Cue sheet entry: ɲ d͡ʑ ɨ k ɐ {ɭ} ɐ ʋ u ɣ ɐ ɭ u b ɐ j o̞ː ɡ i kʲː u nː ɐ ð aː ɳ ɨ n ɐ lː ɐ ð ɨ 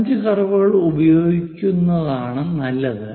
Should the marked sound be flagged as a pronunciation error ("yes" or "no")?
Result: yes